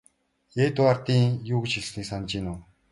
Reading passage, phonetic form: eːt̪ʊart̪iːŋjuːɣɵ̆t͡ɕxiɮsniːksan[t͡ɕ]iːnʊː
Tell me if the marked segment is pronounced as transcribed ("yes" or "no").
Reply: yes